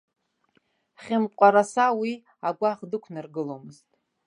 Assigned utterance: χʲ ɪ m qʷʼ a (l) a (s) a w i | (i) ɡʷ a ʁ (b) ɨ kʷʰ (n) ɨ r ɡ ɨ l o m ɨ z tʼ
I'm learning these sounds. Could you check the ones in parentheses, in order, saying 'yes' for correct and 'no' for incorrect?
no, yes, no, no, yes

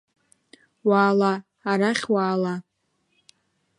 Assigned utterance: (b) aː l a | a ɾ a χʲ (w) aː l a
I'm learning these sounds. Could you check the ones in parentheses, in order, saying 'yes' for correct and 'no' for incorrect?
no, yes

